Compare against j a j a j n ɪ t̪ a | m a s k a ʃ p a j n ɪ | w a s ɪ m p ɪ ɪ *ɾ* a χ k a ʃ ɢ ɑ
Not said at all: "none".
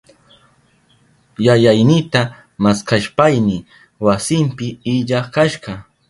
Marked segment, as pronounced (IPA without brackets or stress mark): ʎ